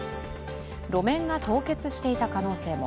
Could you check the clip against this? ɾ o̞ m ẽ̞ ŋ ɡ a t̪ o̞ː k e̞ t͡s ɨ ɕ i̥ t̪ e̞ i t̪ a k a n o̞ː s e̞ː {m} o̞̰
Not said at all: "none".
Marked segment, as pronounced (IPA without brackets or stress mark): m